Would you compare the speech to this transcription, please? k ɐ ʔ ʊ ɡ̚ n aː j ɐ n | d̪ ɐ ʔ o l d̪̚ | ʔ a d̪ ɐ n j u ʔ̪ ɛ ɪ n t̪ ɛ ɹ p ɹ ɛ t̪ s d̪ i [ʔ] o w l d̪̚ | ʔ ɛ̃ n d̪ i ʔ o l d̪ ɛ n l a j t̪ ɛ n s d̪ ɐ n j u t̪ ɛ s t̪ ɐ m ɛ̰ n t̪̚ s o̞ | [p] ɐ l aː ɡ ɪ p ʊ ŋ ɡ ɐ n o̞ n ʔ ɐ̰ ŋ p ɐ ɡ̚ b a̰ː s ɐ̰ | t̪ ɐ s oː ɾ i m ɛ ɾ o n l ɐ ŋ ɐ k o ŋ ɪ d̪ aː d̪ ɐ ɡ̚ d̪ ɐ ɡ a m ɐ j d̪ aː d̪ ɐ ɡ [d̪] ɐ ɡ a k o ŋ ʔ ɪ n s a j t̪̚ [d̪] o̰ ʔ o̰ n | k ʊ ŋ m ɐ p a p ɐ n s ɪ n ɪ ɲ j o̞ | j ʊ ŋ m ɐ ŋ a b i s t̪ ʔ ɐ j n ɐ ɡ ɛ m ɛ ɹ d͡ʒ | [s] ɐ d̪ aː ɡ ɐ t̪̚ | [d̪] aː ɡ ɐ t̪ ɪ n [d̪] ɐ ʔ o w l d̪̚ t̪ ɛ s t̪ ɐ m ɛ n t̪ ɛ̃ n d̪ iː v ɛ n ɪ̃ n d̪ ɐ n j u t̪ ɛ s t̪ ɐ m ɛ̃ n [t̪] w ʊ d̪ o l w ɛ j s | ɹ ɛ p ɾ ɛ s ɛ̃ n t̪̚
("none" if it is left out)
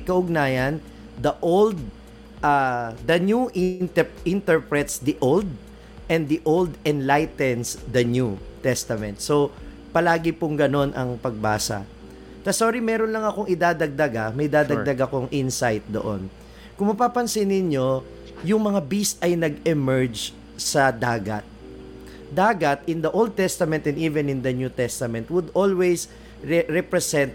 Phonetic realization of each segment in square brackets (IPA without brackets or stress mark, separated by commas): ʔ, p, d̪, d̪, s, d̪, d̪, t̪